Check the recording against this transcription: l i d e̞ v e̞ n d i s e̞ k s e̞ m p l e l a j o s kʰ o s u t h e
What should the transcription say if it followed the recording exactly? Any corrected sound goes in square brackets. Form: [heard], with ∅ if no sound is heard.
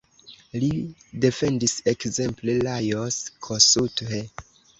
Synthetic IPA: l i d e̞ [f] e̞ n d i s e̞ k [z] e̞ m p l e l a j o s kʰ o s u t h e